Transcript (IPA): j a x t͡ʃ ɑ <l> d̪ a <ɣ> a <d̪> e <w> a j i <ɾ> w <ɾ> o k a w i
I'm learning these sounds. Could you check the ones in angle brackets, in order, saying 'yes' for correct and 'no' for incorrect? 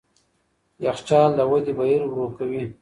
yes, no, yes, no, yes, yes

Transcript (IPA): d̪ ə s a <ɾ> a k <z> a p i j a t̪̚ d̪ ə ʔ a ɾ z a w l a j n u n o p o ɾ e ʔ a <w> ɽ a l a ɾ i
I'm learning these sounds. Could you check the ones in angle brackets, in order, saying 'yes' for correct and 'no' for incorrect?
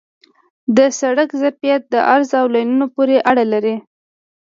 no, yes, no

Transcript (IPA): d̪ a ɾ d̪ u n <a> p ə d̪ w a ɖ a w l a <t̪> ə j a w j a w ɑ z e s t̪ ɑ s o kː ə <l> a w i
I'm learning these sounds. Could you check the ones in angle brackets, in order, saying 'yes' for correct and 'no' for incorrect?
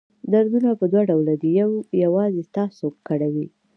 yes, no, no

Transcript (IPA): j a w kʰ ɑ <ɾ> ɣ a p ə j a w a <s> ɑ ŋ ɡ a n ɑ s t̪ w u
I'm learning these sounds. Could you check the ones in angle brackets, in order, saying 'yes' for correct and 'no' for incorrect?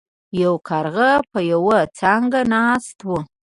yes, no

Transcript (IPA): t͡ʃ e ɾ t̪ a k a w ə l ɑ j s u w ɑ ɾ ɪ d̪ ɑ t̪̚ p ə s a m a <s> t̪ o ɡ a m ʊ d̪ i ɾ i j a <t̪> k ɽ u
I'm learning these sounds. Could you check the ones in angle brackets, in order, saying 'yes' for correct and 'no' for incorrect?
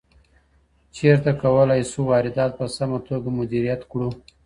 no, yes

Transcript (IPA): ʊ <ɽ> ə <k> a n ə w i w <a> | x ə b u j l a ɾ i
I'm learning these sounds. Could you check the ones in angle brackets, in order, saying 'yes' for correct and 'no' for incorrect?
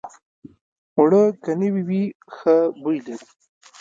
yes, yes, no

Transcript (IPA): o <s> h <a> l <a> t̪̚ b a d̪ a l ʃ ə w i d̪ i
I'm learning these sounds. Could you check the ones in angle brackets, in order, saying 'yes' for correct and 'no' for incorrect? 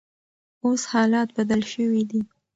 yes, no, no

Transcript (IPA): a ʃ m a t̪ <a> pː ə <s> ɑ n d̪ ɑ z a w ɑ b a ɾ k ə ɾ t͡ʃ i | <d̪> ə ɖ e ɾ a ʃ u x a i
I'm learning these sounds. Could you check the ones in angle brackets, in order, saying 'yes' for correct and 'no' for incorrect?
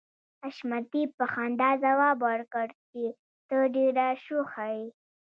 no, no, no

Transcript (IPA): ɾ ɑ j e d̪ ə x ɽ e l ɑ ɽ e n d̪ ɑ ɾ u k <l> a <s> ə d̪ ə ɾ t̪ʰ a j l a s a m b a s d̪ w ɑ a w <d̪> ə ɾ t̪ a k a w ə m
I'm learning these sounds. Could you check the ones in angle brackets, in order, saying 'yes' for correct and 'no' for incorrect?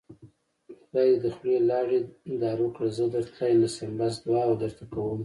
no, no, yes

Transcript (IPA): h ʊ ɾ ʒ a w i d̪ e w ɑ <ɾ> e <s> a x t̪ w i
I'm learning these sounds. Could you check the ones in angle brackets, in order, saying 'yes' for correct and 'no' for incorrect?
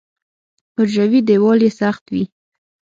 no, yes

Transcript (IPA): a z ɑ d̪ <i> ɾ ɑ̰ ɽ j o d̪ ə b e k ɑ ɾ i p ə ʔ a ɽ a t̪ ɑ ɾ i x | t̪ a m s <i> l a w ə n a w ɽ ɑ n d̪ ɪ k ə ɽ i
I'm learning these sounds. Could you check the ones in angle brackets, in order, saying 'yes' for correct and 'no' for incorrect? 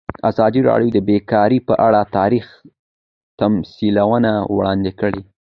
yes, yes

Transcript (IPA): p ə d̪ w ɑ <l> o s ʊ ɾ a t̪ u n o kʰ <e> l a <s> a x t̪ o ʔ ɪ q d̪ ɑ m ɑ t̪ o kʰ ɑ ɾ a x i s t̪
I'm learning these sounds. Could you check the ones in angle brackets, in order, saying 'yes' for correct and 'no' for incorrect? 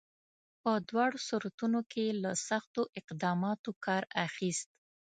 no, yes, yes

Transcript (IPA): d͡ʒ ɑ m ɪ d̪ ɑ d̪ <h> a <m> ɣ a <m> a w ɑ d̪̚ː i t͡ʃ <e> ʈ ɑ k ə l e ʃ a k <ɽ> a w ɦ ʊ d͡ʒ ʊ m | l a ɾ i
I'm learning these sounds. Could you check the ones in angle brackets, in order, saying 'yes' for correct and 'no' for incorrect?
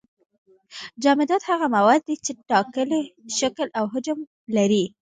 yes, no, yes, yes, no

